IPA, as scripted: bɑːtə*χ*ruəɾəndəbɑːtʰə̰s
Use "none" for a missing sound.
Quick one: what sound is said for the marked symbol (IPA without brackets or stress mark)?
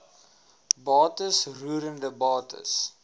s